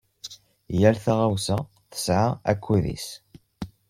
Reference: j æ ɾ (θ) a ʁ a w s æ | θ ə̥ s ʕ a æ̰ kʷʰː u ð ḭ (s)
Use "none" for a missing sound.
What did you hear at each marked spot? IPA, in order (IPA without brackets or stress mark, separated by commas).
θ, s